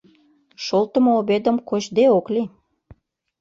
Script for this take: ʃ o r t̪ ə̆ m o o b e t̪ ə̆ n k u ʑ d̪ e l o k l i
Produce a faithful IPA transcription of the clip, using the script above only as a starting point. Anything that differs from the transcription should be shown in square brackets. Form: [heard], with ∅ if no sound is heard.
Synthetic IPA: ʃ o [l] t̪ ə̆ m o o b e [d̪] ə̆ [m] k [o] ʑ d̪ e [∅] o k l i